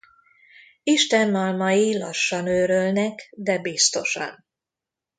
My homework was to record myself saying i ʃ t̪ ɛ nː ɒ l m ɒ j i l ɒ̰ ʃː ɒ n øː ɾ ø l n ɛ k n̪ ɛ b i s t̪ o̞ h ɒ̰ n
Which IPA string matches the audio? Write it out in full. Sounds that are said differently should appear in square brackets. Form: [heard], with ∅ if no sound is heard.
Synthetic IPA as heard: i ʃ t̪ ɛ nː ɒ l m ɒ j i l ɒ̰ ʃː ɒ n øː ɾ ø l n ɛ k [d̪] ɛ b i s t̪ o̞ [ʃ] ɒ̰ n